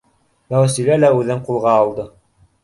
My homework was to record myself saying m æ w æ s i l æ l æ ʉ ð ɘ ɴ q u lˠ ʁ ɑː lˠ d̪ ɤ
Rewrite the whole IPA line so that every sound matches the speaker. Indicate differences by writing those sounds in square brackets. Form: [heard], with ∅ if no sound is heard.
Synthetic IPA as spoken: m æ w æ s i l æ l æ ʉ ð ɘ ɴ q u lˠ ʁ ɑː lˠ d̪ ɤ